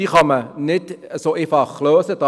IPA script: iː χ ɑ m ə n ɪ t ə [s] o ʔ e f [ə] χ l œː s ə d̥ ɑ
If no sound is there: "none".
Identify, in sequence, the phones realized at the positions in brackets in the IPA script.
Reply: s, ɑ

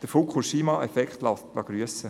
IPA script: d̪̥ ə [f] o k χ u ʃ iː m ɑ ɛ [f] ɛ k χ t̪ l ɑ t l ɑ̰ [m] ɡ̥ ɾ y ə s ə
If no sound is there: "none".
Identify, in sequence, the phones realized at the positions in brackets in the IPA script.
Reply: f, f, none

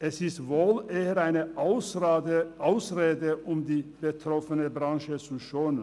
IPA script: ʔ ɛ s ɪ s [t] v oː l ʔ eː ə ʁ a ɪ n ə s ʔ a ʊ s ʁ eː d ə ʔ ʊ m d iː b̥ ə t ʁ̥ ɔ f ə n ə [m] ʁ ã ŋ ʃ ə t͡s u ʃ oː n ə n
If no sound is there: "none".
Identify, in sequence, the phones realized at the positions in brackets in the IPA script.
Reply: t, b

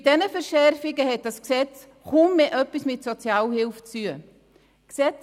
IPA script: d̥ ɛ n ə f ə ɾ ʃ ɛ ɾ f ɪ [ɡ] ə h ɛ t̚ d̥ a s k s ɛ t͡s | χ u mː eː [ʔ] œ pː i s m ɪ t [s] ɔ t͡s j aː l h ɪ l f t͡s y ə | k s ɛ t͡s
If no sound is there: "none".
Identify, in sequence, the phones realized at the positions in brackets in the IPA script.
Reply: ɡ, ʔ, s

